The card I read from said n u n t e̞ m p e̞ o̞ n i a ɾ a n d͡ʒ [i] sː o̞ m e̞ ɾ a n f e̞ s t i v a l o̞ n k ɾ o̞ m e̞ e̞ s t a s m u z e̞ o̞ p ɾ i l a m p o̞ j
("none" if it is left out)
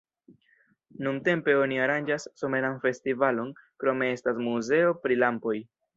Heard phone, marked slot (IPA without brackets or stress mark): a